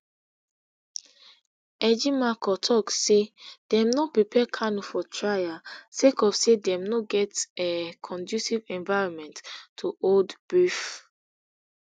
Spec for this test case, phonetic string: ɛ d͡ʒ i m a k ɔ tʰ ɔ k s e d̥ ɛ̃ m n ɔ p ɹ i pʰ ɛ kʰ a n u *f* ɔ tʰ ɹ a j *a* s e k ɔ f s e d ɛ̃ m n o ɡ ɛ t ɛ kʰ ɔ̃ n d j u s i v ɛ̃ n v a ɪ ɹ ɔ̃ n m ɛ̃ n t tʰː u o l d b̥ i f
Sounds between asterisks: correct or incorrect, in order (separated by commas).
correct, correct